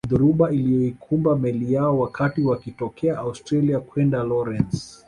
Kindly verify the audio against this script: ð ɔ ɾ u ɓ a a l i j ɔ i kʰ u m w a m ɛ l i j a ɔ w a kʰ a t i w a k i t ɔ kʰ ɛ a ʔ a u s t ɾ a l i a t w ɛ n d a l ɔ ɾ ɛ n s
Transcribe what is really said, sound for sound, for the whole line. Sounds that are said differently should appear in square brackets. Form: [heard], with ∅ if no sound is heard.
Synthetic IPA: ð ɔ ɾ u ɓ a [i] l i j ɔ i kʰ u m [b] a m ɛ l i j a ɔ w a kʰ a t i w a k i t ɔ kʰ ɛ a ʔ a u s t ɾ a l i a [k] w ɛ n d a l ɔ ɾ ɛ n s